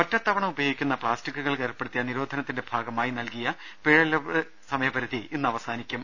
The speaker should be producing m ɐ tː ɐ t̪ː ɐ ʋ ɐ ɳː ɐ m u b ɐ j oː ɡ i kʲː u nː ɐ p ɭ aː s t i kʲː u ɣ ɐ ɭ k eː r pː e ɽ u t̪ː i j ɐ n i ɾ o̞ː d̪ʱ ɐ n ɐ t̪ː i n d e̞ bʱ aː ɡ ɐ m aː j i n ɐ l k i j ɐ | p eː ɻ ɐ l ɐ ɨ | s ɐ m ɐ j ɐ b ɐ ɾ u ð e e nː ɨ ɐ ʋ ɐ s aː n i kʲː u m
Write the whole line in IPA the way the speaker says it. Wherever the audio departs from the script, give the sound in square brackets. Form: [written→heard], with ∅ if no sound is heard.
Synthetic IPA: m ɐ tː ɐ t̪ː ɐ ʋ ɐ [ɳː→ɳ] ɐ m u b ɐ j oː ɡ i kʲː u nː ɐ p ɭ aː s t i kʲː u ɣ ɐ ɭ k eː r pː e ɽ u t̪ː i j ɐ n i ɾ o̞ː d̪ʱ ɐ n ɐ t̪ː i n d e̞ bʱ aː ɡ ɐ m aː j i n ɐ l k i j ɐ | p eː ɻ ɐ l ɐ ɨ | s ɐ m ɐ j ɐ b ɐ ɾ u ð [e→i] e nː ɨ ɐ ʋ ɐ s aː n i kʲː u m